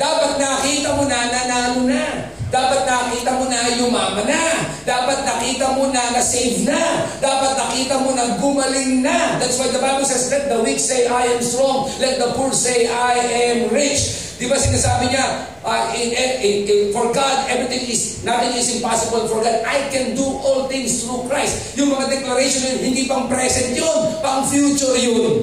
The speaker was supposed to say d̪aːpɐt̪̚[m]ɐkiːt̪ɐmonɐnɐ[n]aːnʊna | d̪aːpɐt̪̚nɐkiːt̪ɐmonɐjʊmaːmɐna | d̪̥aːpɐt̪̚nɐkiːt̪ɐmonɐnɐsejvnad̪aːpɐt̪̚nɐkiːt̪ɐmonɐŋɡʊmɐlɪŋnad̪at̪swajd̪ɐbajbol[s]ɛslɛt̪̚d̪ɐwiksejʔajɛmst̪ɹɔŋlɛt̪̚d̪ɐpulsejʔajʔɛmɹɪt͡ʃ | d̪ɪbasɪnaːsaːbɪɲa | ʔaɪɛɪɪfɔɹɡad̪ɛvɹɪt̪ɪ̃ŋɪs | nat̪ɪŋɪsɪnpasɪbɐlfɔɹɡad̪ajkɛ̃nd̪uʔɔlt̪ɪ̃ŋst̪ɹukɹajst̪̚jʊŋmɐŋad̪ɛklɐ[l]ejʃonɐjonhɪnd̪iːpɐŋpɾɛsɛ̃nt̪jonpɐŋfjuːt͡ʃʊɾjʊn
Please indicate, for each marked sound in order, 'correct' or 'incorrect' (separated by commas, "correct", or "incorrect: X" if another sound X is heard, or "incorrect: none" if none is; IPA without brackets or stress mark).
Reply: incorrect: n, correct, correct, incorrect: ɾ